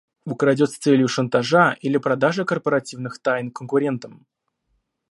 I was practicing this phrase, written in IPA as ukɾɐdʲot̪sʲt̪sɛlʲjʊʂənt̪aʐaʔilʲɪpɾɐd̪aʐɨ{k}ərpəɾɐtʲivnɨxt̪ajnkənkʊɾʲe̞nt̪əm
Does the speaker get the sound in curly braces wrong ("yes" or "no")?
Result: no